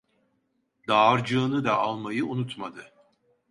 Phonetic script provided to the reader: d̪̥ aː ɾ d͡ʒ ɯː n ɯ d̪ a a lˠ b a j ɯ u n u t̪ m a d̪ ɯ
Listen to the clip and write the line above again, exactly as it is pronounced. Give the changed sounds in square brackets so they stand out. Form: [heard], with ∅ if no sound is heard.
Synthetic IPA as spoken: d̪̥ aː ɾ d͡ʒ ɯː n ɯ d̪ a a lˠ [m] a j ɯ u n u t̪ m a d̪ ɯ